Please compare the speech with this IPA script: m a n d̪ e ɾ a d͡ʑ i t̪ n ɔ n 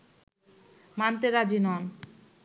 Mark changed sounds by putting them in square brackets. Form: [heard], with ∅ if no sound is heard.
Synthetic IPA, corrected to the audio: m a n [t̪] e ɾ a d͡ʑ i [∅] n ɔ n